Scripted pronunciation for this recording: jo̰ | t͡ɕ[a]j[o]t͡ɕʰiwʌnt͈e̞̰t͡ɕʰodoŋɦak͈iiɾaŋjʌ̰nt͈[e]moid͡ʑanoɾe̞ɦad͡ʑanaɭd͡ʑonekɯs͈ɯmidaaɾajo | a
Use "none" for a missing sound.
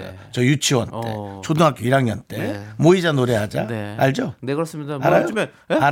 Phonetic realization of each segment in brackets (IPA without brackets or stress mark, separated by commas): ʌ, u, e